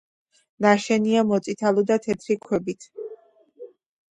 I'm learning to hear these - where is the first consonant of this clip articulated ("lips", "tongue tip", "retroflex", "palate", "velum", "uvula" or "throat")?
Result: tongue tip